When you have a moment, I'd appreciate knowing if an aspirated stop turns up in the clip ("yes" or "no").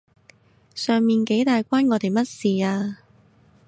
no